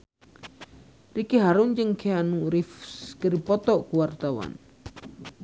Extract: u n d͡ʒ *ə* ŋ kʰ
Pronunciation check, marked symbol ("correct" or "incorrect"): correct